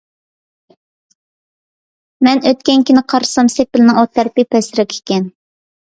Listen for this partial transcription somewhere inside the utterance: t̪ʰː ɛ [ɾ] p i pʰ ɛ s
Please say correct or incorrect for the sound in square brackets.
correct